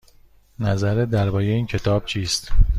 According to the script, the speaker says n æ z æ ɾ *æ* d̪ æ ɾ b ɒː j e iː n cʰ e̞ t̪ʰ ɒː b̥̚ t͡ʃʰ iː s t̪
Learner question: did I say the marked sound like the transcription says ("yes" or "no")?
no